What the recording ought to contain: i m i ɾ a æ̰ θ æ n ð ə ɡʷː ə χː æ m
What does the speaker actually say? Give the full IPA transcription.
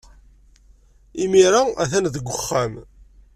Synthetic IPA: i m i ɾ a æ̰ θ æ n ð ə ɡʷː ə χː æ m